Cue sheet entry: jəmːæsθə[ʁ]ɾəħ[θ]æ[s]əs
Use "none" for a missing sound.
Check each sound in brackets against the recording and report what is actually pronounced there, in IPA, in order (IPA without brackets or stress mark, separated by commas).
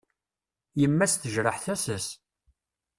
ʒ, θ, s